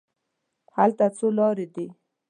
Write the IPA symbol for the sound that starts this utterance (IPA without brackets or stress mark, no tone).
h